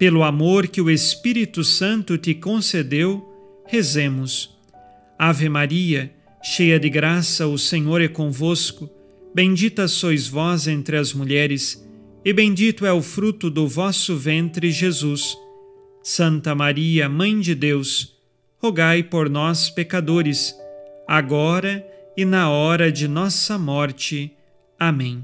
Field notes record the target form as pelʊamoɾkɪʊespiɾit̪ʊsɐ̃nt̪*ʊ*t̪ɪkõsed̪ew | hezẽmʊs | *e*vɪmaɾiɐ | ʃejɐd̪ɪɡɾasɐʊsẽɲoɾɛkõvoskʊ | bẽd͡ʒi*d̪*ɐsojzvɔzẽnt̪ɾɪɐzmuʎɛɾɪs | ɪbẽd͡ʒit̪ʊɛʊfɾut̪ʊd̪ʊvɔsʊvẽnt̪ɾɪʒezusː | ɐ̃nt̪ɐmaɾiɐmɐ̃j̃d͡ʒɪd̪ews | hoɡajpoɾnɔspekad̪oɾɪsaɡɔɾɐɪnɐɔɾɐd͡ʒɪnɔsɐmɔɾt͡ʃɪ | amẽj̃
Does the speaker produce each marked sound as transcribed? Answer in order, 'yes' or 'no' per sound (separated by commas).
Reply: yes, no, no